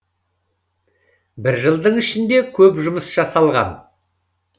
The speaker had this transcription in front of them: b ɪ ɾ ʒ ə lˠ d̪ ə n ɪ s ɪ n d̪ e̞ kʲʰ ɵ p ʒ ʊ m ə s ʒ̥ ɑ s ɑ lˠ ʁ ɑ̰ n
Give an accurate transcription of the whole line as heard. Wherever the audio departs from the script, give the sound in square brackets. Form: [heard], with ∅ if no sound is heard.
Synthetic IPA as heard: b ɪ ɾ ʒ ə lˠ d̪ ə [ɴ] ɪ [ʃ] ɪ n d̪ e̞ kʲʰ ɵ p ʒ ʊ m ə s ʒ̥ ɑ s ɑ lˠ ʁ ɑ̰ n